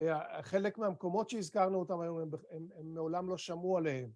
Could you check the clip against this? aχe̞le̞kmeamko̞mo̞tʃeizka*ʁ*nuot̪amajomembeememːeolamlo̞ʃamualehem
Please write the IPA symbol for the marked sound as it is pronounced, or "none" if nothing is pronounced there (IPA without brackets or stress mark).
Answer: ʁ